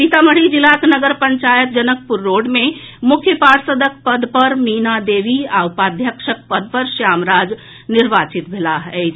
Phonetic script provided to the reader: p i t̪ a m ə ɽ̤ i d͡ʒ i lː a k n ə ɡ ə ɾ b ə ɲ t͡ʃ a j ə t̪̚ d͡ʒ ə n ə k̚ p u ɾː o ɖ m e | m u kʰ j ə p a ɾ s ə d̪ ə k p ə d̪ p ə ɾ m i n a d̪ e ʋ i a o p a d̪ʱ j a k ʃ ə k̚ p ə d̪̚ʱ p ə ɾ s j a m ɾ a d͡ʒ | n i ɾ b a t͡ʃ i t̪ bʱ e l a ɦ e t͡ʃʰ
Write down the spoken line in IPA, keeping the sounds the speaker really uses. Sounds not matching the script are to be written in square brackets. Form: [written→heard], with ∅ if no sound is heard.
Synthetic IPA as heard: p i t̪ a m ə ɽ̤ i d͡ʒ i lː a k n ə ɡ ə ɾ [b→p] ə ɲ t͡ʃ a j ə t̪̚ d͡ʒ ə n ə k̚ p u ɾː o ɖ m e | m u kʰ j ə p a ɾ s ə d̪ ə k p ə d̪ p ə ɾ m i n a d̪ e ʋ i a [o→u] p a d̪ʱ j [a→ə] k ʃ ə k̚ p ə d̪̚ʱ p ə ɾ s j a m ɾ a d͡ʒ | n i ɾ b a t͡ʃ i t̪ bʱ e l a ɦ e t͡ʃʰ